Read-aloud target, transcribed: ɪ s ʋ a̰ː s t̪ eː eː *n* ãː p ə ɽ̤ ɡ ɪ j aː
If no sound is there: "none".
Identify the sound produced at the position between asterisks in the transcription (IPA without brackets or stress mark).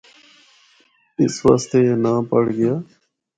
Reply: n